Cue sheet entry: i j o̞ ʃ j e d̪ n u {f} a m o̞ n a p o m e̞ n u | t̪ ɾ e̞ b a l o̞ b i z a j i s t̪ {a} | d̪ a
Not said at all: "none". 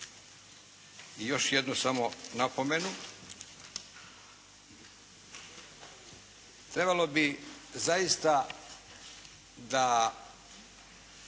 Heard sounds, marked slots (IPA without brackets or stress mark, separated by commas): s, a